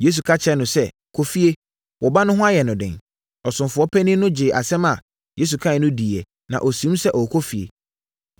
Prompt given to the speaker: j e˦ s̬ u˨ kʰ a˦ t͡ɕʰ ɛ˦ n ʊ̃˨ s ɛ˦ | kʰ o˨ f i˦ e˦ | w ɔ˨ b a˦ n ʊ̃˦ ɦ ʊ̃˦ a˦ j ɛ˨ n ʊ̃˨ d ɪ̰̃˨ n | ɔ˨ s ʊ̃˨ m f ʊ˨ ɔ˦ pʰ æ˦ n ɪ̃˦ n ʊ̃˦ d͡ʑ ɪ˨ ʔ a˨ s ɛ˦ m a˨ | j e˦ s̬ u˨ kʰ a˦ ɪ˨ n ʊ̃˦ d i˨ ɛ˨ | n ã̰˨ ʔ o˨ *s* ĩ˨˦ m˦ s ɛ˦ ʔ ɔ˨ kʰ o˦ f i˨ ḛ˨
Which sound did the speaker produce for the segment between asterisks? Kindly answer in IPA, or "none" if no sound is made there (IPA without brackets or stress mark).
s